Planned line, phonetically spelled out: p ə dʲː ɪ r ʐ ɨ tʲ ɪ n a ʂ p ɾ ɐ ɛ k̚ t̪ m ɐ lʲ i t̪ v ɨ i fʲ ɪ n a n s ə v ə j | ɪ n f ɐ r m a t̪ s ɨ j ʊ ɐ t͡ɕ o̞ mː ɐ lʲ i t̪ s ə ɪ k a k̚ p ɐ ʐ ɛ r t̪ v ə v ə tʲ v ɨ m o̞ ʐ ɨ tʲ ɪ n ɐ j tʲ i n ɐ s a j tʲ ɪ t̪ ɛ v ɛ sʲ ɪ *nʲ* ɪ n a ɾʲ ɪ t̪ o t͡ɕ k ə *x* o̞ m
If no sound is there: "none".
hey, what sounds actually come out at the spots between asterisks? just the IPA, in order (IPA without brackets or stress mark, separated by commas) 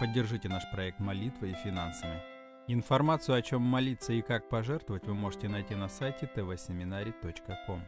mʲ, k